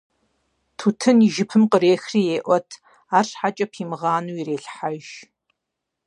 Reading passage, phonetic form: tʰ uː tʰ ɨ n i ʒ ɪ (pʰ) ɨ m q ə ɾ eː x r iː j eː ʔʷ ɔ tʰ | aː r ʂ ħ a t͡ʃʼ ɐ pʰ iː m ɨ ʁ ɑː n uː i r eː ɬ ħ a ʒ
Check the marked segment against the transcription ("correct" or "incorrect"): correct